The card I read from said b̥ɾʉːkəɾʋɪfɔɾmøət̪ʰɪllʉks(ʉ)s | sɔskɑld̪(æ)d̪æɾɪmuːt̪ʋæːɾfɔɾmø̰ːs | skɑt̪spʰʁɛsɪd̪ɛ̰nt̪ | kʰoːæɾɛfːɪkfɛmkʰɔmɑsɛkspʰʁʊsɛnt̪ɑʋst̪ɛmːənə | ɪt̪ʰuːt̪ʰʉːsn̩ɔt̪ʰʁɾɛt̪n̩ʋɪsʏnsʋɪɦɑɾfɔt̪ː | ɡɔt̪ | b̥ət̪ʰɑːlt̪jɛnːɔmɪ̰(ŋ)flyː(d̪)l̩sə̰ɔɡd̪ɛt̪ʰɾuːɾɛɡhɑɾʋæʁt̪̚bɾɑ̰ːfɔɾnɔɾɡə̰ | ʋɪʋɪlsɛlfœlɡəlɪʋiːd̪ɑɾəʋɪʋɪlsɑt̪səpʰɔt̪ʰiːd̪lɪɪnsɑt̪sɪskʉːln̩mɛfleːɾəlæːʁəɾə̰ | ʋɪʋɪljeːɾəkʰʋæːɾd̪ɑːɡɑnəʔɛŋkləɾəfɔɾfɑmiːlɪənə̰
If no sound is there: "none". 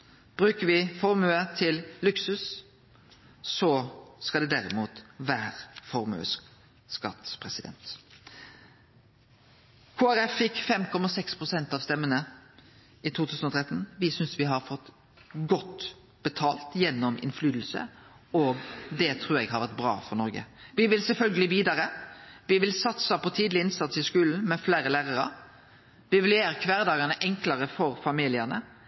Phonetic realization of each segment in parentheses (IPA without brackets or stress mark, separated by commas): ʉ, ɛ, n, d̪